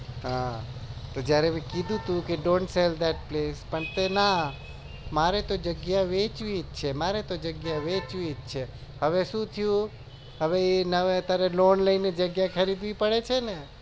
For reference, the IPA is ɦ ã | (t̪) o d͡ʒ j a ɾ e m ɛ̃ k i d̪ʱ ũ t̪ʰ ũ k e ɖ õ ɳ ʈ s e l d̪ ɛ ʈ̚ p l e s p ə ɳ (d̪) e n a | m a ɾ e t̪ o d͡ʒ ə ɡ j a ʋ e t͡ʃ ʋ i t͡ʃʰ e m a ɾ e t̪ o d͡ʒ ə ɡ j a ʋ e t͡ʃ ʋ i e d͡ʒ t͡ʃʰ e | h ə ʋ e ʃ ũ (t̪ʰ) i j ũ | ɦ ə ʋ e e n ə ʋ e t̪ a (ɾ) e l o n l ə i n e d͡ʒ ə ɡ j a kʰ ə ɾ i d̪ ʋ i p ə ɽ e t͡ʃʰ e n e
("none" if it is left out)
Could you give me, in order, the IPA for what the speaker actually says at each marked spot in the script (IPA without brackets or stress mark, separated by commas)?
t̪, t̪, t̪ʰ, ɾ